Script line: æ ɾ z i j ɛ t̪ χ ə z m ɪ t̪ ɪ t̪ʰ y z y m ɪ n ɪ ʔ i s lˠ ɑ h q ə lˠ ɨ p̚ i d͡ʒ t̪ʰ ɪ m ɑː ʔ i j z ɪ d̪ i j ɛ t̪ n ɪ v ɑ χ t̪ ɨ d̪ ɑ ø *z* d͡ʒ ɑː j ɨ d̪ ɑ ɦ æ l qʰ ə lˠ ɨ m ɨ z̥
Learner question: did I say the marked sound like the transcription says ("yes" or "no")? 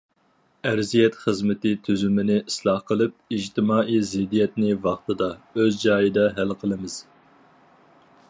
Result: yes